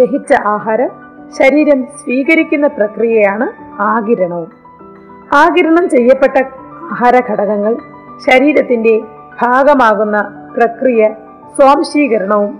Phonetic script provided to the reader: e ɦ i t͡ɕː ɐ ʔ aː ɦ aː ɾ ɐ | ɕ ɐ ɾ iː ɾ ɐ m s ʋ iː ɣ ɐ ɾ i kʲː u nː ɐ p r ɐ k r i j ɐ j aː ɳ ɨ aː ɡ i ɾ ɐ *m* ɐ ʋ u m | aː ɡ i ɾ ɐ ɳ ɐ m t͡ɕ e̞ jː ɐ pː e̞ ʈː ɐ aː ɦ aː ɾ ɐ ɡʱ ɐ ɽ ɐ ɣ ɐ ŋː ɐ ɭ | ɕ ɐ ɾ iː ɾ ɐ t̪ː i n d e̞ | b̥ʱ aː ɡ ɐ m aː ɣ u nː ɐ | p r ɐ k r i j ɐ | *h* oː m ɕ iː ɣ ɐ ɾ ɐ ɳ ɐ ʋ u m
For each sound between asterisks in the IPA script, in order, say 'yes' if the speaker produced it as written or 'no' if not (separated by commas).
no, no